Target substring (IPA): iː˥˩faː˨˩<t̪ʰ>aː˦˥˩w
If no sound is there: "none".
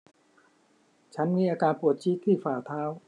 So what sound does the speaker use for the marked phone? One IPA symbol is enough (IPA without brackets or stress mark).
t̪ʰ